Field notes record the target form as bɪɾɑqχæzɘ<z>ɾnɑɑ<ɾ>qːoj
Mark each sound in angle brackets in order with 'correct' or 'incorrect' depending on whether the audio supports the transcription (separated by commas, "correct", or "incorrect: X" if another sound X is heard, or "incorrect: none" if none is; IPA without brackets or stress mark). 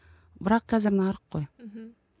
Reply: incorrect: none, correct